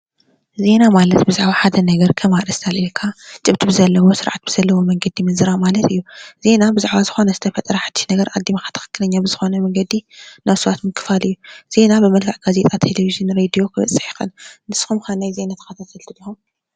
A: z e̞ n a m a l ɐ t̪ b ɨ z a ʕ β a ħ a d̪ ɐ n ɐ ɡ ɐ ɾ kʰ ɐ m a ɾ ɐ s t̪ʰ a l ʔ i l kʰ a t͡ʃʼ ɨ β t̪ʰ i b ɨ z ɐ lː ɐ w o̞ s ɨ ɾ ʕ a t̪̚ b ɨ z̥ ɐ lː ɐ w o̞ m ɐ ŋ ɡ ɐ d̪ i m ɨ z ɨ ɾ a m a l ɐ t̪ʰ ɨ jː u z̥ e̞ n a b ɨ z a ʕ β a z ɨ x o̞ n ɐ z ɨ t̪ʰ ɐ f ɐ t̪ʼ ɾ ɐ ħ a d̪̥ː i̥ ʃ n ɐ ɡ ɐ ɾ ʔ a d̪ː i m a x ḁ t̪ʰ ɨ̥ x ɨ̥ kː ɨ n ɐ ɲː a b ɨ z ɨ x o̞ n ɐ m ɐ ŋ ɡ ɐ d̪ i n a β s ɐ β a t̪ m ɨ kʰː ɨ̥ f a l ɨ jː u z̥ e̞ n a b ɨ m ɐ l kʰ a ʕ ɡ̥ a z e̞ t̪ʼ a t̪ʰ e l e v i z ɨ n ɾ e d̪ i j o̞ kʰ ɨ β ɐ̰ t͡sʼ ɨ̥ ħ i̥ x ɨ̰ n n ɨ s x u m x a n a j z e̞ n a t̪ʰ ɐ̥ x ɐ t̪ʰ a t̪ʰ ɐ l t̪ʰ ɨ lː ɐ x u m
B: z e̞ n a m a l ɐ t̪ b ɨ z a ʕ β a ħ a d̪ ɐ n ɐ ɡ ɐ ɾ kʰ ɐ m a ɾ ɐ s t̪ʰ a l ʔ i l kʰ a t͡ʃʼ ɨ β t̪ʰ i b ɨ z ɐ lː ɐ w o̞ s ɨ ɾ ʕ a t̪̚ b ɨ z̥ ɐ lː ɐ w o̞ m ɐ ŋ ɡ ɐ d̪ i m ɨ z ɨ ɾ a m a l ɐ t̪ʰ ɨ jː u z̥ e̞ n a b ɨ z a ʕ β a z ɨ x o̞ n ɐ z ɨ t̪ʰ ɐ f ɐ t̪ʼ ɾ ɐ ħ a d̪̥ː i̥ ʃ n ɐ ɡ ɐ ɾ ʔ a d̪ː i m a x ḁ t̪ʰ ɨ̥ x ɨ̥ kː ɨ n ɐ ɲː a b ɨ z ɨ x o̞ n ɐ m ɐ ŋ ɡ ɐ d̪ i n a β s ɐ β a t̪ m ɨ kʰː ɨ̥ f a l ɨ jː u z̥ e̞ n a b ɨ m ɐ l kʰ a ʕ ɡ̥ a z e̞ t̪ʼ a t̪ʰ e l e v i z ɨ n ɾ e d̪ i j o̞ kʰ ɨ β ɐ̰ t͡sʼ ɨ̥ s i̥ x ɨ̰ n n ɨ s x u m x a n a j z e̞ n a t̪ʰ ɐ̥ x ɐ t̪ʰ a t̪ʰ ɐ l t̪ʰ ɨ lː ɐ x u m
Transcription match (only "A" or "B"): A